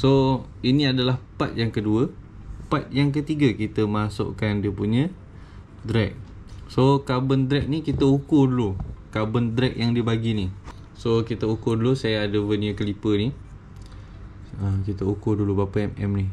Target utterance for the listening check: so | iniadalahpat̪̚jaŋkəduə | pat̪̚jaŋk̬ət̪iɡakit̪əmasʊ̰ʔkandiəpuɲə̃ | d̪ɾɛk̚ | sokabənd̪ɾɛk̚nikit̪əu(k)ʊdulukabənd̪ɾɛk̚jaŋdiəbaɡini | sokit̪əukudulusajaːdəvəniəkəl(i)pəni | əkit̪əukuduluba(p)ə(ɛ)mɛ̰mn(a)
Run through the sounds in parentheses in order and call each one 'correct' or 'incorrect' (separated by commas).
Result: correct, correct, correct, correct, incorrect